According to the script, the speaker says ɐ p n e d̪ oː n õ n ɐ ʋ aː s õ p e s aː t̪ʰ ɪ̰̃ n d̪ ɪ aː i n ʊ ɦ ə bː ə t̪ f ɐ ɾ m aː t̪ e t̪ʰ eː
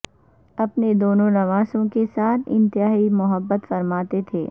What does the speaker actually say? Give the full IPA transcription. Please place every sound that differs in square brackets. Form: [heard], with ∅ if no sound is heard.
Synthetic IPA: ɐ p n e d̪ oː n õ n ɐ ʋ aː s õ [k] e s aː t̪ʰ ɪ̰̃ n [t̪] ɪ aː i [m] ʊ ɦ ə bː ə t̪ f ɐ ɾ m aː t̪ e t̪ʰ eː